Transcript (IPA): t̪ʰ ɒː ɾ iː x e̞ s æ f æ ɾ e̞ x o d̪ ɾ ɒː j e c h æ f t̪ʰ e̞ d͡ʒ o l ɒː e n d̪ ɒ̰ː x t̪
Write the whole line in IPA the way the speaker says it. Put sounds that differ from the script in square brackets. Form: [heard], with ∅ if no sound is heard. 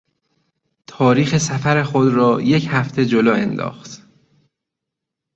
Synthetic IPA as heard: t̪ʰ ɒː ɾ iː x e̞ s æ f æ ɾ e̞ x o d̪ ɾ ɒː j e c h æ f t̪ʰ e̞ d͡ʒ o l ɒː e n d̪ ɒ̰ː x t̪